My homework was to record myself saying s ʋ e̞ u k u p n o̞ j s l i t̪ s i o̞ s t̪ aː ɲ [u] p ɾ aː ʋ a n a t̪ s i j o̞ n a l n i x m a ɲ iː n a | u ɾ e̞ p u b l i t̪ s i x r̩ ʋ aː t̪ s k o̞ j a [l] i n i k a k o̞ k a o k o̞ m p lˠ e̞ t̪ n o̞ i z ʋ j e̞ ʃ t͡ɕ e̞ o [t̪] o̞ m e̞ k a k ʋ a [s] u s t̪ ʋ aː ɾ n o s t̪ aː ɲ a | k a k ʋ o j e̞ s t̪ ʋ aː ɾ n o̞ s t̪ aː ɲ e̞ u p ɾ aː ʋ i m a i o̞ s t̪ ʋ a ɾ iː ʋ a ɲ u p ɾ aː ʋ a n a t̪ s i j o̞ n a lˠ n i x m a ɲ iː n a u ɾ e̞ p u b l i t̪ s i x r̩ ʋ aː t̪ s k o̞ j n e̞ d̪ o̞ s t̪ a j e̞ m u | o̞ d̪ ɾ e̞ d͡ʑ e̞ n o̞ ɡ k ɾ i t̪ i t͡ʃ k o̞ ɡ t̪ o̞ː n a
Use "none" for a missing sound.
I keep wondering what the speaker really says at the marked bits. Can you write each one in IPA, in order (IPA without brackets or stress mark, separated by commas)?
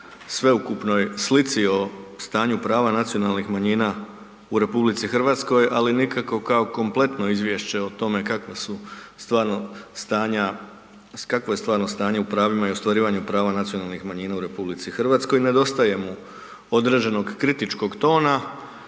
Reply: u, l, t̪, s